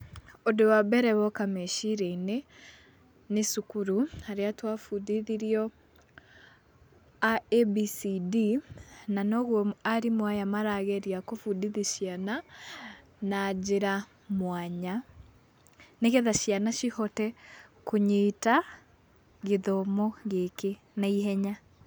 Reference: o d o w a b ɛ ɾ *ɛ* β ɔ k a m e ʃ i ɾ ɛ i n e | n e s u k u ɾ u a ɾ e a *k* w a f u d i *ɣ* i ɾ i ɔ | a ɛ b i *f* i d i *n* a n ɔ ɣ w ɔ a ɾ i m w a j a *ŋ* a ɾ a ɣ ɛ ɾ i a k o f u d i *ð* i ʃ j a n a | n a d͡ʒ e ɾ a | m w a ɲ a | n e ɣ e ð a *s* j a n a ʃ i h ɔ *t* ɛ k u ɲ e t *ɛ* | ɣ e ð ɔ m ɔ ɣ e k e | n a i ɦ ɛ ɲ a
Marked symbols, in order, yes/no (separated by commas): yes, no, no, no, yes, no, yes, no, yes, no